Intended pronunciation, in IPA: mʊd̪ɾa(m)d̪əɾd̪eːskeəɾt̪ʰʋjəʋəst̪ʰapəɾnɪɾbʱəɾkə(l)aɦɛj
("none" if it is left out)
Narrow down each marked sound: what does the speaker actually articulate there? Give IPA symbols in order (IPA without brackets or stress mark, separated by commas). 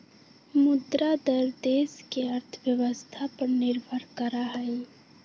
none, ɾ